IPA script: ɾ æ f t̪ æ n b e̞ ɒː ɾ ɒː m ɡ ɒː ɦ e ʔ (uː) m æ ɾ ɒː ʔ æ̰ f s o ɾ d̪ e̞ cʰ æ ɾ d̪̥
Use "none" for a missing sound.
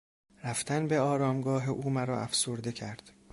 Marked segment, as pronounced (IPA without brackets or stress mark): uː